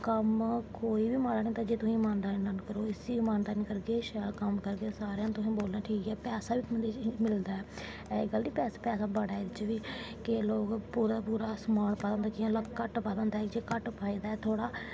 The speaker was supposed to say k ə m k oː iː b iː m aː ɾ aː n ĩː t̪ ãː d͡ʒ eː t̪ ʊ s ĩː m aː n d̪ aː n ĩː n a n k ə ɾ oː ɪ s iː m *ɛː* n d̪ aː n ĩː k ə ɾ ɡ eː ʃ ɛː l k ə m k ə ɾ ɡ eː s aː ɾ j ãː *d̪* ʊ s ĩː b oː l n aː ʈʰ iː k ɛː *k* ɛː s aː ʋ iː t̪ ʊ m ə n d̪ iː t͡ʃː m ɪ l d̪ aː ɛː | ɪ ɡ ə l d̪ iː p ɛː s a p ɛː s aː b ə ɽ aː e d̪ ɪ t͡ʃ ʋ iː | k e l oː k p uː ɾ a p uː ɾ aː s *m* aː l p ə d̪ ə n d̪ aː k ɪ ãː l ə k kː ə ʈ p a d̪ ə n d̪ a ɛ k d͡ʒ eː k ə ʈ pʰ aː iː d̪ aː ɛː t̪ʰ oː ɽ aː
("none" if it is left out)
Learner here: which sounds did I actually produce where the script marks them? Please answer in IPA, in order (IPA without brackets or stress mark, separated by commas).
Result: aː, t̪, p, m